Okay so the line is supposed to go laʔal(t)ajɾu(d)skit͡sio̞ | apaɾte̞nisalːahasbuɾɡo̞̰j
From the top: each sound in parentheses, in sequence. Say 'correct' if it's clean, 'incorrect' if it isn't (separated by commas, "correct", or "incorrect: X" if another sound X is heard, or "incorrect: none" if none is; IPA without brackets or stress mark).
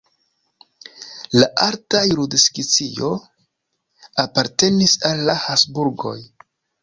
correct, correct